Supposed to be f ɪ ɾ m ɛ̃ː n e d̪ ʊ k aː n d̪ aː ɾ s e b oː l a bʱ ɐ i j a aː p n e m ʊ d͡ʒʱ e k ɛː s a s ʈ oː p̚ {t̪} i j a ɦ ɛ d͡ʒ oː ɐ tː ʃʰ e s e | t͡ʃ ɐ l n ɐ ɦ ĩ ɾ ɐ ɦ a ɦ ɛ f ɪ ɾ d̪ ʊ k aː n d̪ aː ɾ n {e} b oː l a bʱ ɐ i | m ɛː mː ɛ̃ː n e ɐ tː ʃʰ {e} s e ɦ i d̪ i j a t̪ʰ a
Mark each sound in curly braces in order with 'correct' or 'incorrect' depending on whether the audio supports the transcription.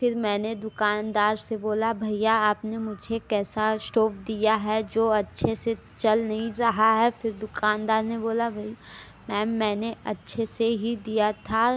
incorrect: d̪, correct, correct

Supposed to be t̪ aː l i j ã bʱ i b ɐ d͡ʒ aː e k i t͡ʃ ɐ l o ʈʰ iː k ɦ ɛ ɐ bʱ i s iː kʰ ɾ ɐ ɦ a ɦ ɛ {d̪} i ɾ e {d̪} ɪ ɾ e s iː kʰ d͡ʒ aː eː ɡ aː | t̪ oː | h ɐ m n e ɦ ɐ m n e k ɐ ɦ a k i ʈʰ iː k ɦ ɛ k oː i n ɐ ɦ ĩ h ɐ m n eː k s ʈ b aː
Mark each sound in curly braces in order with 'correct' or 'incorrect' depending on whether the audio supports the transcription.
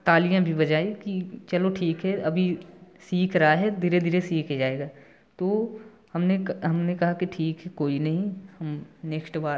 correct, correct

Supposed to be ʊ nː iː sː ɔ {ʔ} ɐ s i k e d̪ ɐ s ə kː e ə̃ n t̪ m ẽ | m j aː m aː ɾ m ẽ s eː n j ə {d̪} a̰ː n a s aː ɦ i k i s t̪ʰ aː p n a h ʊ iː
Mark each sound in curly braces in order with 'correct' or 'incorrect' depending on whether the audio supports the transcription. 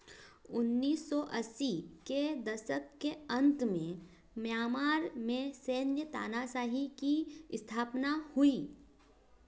correct, incorrect: t̪

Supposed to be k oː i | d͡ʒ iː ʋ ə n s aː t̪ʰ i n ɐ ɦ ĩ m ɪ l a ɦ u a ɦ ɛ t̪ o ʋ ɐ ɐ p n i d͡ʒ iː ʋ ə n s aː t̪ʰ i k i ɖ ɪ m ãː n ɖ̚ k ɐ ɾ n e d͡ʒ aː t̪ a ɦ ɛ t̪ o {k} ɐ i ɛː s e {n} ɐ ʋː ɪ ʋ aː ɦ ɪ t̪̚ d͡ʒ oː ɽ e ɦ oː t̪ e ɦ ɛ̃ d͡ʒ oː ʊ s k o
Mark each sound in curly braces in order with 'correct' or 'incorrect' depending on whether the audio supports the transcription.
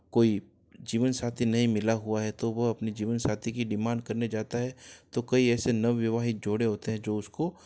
correct, correct

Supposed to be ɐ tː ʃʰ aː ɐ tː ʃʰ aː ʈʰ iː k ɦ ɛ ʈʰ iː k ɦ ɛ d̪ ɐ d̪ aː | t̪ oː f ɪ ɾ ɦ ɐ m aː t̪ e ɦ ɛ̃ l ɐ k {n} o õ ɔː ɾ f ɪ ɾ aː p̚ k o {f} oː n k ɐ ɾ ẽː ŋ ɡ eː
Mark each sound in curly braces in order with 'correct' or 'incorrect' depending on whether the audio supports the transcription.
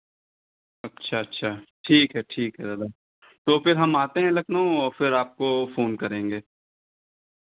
correct, correct

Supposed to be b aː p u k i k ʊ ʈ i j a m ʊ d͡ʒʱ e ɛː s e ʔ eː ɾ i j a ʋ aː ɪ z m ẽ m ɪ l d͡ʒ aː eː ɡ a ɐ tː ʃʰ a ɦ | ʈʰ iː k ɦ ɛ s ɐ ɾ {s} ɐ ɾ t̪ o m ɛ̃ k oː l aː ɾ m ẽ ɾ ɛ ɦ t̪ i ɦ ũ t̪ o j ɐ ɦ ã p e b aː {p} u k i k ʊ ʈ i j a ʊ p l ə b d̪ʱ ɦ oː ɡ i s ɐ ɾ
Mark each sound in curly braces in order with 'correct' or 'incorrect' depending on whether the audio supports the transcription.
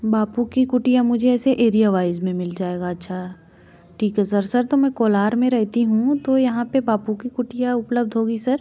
correct, correct

